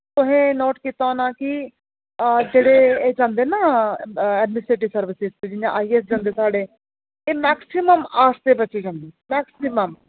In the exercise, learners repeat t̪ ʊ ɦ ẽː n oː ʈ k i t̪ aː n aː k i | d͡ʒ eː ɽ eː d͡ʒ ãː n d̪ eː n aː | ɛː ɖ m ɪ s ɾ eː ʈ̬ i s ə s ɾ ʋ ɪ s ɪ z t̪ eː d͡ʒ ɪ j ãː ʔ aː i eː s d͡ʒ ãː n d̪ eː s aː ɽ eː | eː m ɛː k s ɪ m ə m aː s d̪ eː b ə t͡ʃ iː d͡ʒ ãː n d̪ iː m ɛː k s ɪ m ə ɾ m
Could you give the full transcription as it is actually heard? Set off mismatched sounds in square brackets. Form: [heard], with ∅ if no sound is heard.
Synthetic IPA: t̪ ʊ ɦ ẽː n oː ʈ k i t̪ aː n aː k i | d͡ʒ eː ɽ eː d͡ʒ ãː n d̪ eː n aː | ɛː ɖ m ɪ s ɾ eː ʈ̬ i s ə [∅] ɾ ʋ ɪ s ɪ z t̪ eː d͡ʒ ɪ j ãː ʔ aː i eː s d͡ʒ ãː n d̪ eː s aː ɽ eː | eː m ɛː k s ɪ m ə m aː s [t̪] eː b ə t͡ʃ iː d͡ʒ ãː n d̪ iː m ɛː k s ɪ m ə [∅] m